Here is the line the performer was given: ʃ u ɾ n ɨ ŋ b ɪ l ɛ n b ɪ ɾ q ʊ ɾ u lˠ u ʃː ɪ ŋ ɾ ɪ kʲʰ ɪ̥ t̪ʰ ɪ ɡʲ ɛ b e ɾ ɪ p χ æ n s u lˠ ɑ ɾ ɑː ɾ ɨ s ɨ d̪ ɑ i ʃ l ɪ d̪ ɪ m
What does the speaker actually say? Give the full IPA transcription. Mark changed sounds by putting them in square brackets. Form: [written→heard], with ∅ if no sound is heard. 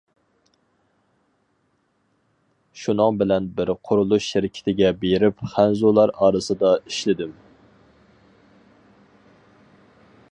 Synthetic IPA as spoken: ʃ u [ɾ→∅] n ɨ ŋ b ɪ l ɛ n b ɪ ɾ [q→qʰ] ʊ ɾ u lˠ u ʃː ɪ [ŋ→∅] ɾ ɪ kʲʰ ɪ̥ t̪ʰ ɪ ɡʲ ɛ b e ɾ ɪ p χ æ n [s→z] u lˠ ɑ ɾ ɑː ɾ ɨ s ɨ d̪ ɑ i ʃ l ɪ d̪ ɪ m